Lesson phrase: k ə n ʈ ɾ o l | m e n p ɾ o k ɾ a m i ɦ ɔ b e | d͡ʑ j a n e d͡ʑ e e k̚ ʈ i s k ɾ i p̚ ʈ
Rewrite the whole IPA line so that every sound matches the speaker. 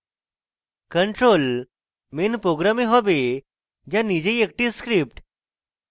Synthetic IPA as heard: k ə ɳ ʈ ɾ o l | m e n p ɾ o ɡ ɾ a m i ɦ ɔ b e | d͡ʑ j a n i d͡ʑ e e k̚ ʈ i s k ɾ i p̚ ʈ